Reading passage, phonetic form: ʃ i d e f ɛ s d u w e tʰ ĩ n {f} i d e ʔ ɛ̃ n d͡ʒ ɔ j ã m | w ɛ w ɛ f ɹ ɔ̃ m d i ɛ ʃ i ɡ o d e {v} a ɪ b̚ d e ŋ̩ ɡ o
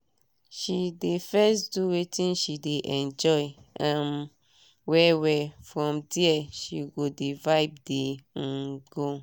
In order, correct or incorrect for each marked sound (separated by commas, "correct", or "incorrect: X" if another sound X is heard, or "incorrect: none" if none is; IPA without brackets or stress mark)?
incorrect: ʃ, correct